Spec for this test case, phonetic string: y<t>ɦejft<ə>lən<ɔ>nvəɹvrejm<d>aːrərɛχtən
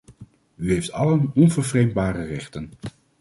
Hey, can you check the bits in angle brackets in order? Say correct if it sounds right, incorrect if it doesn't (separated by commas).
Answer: incorrect, incorrect, correct, incorrect